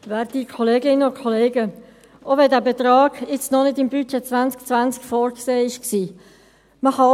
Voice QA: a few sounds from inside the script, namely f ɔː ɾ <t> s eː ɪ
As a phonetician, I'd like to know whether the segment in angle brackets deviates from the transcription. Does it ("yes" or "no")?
yes